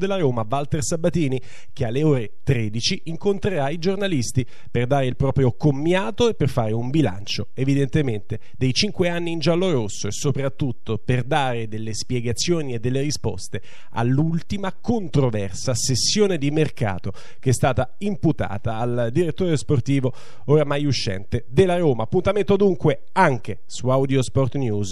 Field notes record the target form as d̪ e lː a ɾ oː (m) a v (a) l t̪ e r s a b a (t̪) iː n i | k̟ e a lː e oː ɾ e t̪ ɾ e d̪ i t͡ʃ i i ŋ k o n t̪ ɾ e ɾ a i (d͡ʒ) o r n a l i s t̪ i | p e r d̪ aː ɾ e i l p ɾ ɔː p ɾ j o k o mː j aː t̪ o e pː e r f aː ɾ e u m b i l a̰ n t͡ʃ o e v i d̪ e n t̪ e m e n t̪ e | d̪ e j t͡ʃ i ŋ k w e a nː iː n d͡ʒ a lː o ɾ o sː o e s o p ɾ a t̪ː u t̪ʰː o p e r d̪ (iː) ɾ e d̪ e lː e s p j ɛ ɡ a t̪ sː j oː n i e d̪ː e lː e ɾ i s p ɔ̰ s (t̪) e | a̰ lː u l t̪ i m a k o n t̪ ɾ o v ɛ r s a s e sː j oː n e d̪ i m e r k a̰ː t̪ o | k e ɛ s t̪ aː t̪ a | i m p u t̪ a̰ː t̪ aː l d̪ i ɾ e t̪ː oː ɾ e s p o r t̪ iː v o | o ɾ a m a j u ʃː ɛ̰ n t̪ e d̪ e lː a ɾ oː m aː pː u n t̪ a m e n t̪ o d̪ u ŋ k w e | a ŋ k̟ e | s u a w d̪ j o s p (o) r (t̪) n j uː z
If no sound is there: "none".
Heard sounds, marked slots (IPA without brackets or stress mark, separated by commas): m, a, t̪, d͡ʒ, aː, t̪, ɔ, t̪